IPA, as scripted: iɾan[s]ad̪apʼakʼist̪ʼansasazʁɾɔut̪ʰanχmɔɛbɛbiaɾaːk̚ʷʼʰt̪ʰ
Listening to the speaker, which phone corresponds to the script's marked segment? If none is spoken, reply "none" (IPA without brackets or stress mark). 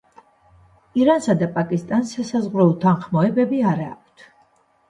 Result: s